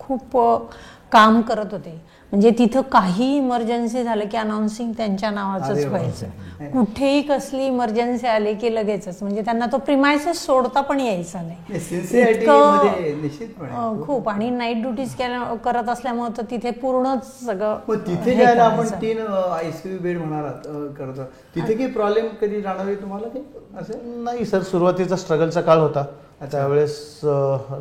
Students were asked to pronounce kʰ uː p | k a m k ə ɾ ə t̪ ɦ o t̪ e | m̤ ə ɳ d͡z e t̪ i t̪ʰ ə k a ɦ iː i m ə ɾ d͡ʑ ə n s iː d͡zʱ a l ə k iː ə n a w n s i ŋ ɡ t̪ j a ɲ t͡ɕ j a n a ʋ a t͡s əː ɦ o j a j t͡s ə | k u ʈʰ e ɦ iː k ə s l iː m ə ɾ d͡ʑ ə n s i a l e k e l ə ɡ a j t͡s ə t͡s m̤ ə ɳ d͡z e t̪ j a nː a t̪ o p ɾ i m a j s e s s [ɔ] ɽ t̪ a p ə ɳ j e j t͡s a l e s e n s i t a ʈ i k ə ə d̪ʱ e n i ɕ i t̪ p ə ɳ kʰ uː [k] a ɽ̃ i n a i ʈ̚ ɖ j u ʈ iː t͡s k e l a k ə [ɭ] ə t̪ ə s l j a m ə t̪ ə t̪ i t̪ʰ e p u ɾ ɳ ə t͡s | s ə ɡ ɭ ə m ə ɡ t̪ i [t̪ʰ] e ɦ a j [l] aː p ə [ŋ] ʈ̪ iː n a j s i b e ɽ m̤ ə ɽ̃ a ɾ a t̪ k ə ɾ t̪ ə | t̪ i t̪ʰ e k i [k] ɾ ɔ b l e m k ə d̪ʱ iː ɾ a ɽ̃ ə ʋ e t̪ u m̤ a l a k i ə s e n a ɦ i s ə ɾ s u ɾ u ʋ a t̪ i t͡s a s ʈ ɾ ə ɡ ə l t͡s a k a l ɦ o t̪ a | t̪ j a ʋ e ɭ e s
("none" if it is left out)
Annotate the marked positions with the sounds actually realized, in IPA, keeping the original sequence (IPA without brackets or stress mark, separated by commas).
o, p, ɾ, t̪ʰ, l, ɳ, p